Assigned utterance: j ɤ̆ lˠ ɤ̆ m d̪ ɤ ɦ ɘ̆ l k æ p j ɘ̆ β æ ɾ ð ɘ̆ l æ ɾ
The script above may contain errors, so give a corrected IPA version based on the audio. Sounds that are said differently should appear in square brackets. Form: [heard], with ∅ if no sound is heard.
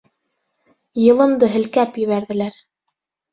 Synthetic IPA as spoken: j ɤ̆ lˠ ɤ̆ m d̪ ɤ ɦ ɘ̆ l k æ p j ɘ̆ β æ ɾ ð ɘ̆ l æ ɾ